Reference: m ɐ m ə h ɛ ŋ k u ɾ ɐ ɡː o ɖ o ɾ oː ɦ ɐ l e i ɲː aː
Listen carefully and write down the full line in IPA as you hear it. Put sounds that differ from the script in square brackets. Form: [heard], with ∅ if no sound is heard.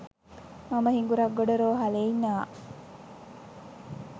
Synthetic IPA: m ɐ m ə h [i] ŋ [ɡ] u ɾ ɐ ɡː o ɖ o ɾ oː ɦ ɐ l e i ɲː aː